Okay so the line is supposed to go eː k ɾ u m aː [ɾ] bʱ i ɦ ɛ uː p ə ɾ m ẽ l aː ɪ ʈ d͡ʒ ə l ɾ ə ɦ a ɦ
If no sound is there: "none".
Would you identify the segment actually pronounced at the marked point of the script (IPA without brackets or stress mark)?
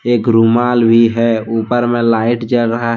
l